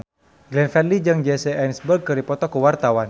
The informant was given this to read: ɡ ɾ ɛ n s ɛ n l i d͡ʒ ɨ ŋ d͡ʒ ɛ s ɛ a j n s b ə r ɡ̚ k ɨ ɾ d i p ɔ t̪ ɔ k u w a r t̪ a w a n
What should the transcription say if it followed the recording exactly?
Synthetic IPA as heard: ɡ l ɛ n f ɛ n l i d͡ʒ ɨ ŋ d͡ʒ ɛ s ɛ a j n s b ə r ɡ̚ k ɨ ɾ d i p ɔ t̪ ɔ k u w a r t̪ a w a n